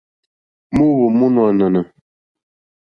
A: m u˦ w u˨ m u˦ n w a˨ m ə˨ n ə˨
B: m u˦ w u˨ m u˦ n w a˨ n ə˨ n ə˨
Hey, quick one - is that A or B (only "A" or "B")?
B